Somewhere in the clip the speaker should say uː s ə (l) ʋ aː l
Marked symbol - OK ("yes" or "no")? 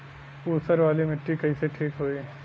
no